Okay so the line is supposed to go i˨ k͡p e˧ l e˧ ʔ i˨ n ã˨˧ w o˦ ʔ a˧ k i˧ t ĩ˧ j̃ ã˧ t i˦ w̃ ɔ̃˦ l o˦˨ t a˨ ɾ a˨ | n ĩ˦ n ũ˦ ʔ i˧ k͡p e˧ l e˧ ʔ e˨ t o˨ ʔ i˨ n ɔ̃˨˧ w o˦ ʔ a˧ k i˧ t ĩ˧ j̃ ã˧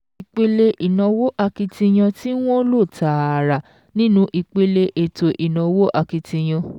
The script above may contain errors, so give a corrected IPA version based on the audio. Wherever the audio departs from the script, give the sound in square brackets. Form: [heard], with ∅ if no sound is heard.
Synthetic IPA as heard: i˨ k͡p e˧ l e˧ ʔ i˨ n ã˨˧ w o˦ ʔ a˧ k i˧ t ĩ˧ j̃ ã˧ t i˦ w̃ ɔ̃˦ l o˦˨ t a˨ ɾ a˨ | n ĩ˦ n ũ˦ ʔ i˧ k͡p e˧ l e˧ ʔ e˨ t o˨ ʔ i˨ n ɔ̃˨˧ w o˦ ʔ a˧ k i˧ t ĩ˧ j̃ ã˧